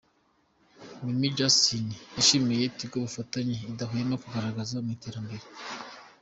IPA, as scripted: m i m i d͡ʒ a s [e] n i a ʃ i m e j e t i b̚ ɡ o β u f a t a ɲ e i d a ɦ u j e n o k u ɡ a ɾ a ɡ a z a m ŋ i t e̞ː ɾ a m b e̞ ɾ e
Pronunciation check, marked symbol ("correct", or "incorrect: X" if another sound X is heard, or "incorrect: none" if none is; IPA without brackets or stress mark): incorrect: i